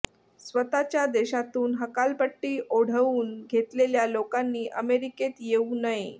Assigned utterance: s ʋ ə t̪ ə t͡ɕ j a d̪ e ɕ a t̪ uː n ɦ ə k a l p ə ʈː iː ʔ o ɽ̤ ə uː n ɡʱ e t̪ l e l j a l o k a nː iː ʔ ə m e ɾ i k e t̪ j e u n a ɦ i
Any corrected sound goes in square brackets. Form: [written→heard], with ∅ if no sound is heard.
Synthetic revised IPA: s ʋ ə t̪ [ə→a] t͡ɕ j a d̪ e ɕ a t̪ uː n ɦ ə k a l p ə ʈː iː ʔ o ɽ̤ ə uː n ɡʱ e t̪ l e l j a l o k a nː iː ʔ ə m e ɾ i k e t̪ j e u n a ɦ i